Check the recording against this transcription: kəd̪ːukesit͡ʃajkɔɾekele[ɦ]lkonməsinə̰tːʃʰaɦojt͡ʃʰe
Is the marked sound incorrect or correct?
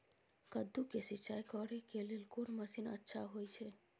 incorrect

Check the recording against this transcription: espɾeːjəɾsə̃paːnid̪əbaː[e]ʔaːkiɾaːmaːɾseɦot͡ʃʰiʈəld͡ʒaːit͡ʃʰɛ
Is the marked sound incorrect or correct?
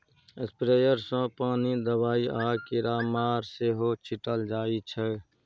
incorrect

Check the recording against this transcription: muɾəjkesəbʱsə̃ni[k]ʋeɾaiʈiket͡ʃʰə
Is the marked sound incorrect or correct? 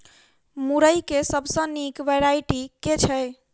correct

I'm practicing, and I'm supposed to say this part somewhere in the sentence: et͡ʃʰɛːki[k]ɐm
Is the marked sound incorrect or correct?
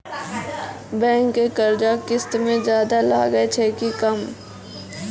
correct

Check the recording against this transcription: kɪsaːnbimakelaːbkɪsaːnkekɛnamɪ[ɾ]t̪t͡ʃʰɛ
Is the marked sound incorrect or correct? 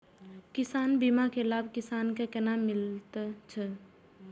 incorrect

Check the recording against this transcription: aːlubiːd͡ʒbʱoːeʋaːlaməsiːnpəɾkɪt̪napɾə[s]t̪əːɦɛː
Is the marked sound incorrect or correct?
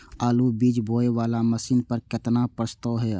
correct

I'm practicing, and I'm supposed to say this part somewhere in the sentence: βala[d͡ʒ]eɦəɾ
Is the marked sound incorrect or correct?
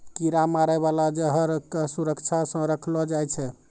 correct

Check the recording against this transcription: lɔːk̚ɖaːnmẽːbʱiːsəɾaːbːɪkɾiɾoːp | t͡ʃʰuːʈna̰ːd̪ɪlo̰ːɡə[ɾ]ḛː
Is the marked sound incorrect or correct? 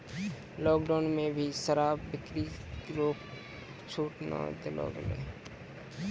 incorrect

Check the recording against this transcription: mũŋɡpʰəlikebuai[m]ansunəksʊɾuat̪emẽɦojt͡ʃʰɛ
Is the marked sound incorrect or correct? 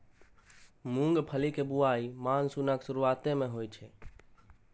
correct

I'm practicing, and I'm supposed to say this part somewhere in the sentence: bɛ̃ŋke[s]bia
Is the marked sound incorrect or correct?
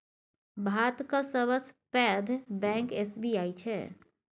correct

